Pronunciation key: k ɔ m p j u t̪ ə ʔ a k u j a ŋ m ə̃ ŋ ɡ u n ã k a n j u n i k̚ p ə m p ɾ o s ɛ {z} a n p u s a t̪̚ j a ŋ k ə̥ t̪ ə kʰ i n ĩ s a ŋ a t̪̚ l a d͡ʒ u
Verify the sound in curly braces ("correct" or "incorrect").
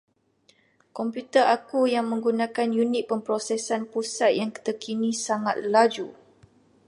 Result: incorrect